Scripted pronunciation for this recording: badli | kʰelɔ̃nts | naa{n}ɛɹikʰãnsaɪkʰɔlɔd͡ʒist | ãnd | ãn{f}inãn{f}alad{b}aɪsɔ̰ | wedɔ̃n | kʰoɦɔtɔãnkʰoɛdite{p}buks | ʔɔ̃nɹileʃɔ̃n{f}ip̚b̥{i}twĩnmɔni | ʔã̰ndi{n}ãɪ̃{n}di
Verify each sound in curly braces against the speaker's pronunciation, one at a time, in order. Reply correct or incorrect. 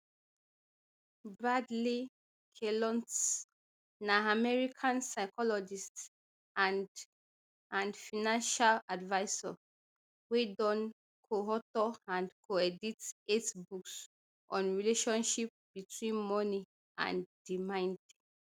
incorrect, correct, incorrect, incorrect, incorrect, incorrect, correct, incorrect, correct

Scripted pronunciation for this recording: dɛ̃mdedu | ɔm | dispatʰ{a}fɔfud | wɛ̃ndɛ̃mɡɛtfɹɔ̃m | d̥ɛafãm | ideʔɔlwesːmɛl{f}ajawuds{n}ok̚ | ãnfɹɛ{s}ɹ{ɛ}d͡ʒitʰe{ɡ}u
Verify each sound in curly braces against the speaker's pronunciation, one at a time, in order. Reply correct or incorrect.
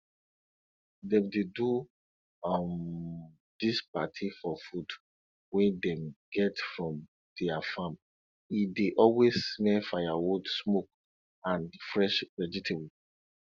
incorrect, correct, incorrect, incorrect, correct, incorrect

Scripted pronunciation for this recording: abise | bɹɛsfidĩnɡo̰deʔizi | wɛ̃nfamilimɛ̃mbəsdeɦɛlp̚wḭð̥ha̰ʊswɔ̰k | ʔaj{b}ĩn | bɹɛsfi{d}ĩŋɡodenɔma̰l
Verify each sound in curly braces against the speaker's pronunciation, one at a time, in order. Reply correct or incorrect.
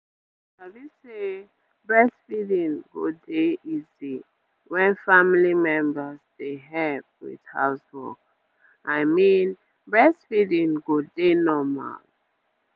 incorrect, correct

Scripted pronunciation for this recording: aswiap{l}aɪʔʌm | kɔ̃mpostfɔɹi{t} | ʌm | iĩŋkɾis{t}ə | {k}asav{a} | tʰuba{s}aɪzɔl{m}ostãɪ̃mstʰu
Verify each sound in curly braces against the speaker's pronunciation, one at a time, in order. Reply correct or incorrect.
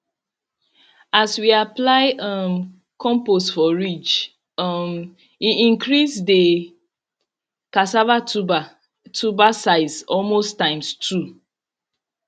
correct, incorrect, incorrect, correct, correct, correct, correct

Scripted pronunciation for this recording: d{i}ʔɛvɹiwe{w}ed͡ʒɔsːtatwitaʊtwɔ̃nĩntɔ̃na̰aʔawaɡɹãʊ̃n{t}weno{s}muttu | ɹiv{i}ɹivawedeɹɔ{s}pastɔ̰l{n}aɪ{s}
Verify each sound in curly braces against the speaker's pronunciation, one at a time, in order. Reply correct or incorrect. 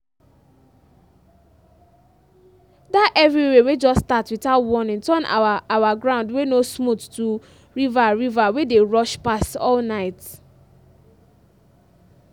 incorrect, correct, incorrect, correct, incorrect, incorrect, correct, incorrect

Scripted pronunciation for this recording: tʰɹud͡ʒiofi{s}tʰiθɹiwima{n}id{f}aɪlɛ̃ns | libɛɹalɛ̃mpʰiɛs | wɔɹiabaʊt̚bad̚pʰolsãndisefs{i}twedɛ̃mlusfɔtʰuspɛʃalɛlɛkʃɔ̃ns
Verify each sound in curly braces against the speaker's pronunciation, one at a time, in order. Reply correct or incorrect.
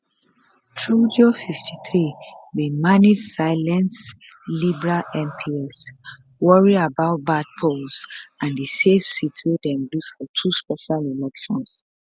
incorrect, correct, incorrect, correct

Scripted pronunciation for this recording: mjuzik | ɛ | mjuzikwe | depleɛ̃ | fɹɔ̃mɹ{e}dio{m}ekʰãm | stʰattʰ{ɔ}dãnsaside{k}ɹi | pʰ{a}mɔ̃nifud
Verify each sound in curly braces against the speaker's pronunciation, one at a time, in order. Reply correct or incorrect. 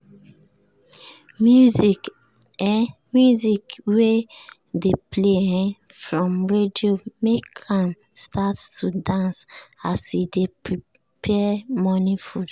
correct, correct, incorrect, incorrect, incorrect

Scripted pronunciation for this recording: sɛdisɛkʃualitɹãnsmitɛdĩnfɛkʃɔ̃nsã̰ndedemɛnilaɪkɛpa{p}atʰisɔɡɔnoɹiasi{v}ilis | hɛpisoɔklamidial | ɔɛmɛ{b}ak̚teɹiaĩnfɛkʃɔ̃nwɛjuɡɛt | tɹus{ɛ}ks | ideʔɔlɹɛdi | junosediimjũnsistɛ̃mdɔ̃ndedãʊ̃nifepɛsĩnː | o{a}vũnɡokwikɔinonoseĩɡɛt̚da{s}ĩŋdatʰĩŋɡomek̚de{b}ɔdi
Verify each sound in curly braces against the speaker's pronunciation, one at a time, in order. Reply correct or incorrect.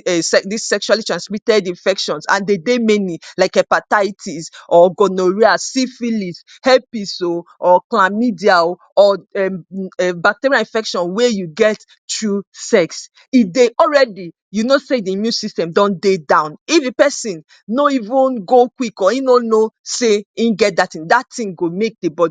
incorrect, incorrect, correct, correct, incorrect, incorrect, correct

